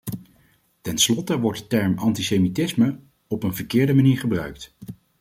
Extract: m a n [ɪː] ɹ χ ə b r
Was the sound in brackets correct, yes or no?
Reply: no